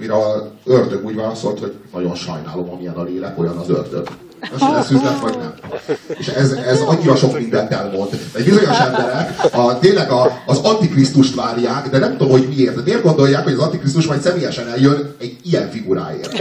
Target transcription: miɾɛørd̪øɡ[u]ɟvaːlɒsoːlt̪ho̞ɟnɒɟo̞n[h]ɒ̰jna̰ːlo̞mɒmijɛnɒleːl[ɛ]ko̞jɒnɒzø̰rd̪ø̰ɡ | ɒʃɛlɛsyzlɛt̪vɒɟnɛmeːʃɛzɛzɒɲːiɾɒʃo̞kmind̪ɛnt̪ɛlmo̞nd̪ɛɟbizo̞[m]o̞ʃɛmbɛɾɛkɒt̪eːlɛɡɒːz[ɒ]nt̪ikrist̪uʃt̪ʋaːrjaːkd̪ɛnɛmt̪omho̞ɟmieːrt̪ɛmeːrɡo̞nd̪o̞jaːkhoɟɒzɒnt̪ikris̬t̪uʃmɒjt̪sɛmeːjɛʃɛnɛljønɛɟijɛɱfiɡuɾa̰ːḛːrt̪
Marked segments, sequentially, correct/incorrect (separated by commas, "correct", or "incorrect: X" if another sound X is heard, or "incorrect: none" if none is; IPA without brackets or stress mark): incorrect: uː, incorrect: ʃ, correct, incorrect: ɲ, correct